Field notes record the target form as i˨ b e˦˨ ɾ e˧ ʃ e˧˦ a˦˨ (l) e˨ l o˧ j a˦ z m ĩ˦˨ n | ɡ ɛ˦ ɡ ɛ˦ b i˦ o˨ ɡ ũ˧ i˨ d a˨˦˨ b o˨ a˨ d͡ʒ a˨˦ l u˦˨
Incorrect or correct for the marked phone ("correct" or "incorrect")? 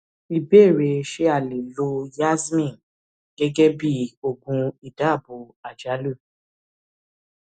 correct